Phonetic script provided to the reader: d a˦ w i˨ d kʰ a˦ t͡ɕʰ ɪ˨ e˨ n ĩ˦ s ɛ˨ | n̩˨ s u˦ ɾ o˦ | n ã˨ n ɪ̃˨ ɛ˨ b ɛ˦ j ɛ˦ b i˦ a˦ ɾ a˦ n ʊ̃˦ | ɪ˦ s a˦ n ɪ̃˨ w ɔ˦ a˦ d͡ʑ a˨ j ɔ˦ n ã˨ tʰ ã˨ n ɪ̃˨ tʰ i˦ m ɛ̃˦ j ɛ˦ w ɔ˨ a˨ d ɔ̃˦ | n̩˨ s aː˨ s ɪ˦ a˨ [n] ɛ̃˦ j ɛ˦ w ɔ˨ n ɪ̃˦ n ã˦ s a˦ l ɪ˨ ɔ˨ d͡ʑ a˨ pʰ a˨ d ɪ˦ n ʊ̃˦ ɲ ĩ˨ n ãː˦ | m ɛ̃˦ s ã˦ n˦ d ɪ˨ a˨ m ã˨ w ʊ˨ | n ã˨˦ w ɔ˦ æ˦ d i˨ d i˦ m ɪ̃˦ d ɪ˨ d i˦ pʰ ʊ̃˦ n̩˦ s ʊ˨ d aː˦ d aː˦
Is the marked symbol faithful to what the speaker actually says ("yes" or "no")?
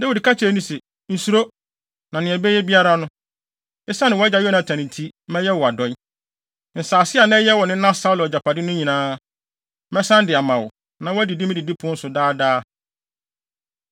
yes